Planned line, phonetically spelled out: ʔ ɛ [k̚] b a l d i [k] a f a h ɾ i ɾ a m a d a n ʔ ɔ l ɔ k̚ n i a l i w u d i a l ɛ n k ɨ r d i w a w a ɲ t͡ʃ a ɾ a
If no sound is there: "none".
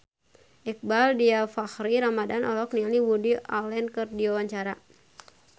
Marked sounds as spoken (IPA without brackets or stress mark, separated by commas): k̚, none